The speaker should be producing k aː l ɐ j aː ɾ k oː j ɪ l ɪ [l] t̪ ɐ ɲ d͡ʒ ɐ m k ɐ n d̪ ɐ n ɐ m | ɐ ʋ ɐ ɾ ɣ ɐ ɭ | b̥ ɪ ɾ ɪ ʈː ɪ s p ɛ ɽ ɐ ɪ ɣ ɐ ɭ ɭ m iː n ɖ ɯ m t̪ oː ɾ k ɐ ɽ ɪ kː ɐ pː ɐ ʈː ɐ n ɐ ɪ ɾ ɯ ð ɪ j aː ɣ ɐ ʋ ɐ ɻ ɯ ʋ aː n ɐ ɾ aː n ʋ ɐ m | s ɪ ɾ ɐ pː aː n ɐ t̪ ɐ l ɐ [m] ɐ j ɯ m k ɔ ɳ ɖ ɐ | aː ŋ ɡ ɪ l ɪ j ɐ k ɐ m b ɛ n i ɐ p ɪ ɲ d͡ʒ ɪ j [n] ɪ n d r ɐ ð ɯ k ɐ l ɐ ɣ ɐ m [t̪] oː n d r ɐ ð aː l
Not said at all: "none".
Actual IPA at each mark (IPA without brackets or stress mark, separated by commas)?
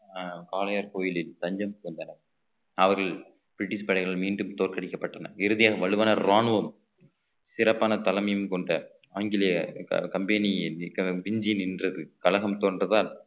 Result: l, m, n, t̪